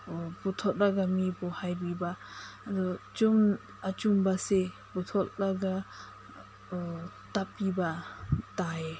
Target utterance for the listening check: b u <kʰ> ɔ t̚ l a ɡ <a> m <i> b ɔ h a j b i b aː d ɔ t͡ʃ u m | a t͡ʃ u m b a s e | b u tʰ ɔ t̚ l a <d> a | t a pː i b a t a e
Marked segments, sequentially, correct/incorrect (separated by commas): incorrect, correct, correct, incorrect